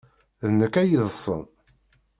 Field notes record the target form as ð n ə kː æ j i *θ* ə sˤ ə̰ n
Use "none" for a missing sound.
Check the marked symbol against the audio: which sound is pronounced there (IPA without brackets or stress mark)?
ð